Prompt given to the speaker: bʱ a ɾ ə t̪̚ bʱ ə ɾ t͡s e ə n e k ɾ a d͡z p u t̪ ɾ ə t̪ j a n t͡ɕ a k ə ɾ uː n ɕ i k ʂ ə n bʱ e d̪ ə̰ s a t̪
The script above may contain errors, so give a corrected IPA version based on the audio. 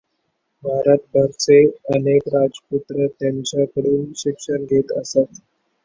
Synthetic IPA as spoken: bʱ a ɾ ə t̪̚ bʱ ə ɾ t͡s e ə n e k ɾ a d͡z p u t̪ ɾ ə t̪ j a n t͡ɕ a k ə ɽ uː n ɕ i k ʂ ə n ɡʱ e t̪ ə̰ s a t̪